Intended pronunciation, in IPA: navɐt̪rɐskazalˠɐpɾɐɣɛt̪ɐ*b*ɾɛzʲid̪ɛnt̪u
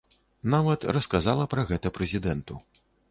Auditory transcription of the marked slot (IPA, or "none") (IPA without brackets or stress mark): p